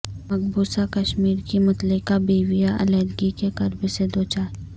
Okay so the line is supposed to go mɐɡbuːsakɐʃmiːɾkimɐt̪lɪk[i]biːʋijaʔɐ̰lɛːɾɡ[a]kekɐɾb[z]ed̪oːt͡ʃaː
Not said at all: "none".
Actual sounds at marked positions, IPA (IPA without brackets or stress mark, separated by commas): a, i, s